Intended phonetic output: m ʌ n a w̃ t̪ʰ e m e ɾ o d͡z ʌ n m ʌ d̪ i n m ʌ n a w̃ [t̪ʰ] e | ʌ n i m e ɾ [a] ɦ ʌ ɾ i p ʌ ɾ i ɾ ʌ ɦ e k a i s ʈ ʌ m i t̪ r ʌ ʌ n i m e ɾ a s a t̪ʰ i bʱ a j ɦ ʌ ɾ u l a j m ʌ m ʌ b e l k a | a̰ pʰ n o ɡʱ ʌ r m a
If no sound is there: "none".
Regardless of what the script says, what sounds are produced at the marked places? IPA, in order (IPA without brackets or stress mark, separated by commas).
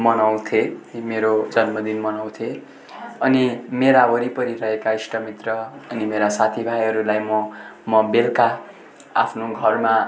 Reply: t̪ʰ, a